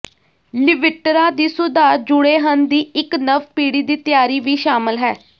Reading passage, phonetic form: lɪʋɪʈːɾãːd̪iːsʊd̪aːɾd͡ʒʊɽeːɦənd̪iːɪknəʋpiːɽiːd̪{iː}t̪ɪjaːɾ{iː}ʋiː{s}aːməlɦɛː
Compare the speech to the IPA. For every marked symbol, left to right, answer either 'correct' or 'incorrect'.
correct, correct, incorrect: ʃ

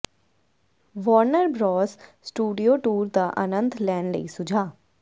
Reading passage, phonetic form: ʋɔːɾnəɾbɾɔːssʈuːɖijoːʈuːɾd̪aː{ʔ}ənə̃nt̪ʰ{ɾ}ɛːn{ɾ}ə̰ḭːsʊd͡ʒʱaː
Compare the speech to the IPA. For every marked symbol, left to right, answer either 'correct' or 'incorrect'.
correct, incorrect: l, incorrect: l

